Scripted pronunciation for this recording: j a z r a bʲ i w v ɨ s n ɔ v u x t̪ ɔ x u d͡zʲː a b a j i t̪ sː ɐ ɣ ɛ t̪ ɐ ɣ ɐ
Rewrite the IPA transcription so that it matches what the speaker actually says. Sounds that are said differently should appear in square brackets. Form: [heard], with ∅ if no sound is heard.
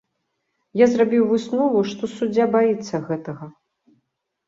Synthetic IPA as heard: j a z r a bʲ i w v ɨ s n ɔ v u [ʂ] t̪ ɔ [s] u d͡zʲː a b a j i t̪ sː ɐ ɣ ɛ t̪ ɐ ɣ ɐ